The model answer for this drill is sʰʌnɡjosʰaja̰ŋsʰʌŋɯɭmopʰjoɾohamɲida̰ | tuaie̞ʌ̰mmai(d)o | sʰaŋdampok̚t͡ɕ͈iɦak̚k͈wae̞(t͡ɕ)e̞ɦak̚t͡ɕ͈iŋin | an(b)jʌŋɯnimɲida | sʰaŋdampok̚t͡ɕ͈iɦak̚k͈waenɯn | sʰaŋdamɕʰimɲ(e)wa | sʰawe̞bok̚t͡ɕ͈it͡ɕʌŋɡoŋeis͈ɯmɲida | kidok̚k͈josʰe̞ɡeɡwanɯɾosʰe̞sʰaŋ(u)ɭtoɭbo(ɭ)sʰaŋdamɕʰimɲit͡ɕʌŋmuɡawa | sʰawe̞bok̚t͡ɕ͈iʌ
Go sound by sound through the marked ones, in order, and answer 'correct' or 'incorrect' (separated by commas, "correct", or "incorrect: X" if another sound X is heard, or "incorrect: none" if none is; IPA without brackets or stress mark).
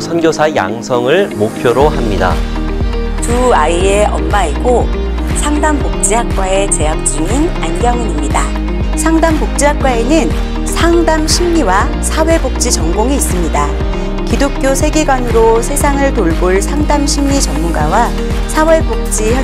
incorrect: ɡ, correct, incorrect: ɡ, incorrect: i, incorrect: ɯ, correct